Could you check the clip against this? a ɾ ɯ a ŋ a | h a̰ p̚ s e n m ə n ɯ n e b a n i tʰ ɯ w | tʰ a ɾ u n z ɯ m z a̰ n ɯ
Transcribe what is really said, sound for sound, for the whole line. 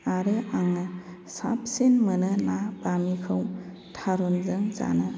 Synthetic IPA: a ɾ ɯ a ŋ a | s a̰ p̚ s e n m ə n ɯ n a b a m i kʰ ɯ w | tʰ a ɾ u n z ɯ ŋ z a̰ n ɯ